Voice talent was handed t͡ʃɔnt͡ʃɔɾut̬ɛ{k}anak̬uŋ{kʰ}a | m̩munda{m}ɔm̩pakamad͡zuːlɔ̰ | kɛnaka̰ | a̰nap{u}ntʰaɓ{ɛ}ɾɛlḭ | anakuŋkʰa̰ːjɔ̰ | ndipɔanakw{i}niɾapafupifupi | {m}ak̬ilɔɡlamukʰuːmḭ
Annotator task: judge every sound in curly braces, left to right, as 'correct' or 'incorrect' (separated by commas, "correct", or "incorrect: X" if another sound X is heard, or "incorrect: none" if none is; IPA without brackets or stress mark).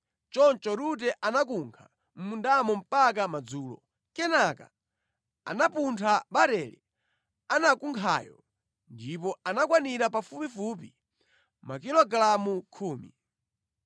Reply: incorrect: ʔ, correct, correct, correct, incorrect: a, incorrect: a, correct